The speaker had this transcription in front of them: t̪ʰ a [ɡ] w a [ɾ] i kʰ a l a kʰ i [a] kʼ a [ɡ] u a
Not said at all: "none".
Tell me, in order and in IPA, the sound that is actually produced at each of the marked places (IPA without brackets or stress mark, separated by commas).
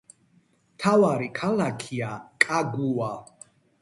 none, ɾ, a, ɡ